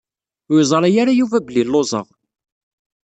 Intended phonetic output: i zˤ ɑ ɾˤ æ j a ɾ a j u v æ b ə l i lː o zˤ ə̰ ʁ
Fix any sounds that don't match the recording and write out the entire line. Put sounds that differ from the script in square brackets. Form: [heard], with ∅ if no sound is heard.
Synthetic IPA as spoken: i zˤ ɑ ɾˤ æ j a ɾ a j u v æ b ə l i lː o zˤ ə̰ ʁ